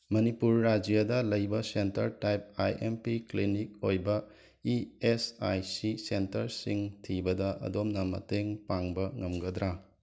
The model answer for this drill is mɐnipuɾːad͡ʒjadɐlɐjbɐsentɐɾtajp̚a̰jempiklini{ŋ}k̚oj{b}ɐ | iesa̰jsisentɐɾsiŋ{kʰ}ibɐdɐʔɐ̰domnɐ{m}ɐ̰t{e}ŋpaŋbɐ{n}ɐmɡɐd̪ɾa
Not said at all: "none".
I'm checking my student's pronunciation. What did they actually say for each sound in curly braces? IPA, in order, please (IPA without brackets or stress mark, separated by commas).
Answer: none, b, tʰ, m, e, ŋ